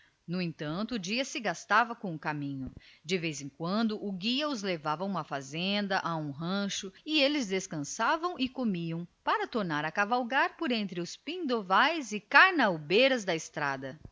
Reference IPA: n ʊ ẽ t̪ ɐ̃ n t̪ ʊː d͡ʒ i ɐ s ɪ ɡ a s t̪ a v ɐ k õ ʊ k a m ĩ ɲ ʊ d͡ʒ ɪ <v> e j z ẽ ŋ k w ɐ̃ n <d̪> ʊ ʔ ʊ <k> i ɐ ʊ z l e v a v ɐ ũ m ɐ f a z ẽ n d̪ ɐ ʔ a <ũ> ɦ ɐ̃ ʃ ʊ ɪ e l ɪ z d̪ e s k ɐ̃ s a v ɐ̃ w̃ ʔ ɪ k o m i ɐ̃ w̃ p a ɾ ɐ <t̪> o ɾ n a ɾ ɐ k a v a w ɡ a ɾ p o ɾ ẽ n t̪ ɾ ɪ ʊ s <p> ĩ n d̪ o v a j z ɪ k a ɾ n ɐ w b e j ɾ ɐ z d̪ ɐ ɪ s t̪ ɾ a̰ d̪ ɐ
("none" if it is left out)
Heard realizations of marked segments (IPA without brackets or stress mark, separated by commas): v, d̪, ɡ, ũ, t̪, p